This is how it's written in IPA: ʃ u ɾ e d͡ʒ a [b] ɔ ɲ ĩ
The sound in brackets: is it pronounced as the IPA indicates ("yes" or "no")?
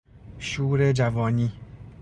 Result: no